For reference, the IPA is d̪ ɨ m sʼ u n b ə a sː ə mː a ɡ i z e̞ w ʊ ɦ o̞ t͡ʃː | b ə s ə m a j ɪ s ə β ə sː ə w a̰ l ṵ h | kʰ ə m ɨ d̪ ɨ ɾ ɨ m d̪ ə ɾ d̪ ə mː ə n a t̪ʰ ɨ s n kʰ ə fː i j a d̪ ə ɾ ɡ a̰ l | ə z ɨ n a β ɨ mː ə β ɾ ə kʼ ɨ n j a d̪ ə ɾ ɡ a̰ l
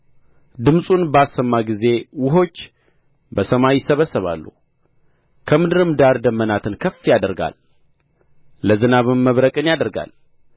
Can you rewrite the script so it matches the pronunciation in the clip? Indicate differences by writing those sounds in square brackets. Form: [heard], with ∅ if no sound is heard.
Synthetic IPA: d̪ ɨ m sʼ u n b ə a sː ə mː a ɡ i z e̞ w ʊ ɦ o̞ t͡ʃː | b ə s ə m a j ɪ s ə β ə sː ə [β] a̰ [lː] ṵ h | kʰ ə m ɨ d̪ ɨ ɾ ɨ m d̪ [a] ɾ d̪ ə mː ə n a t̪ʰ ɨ [∅] n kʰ ə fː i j a d̪ ə ɾ ɡ a̰ l | ə z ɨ n a β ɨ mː ə β ɾ ə kʼ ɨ n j a d̪ ə ɾ ɡ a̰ l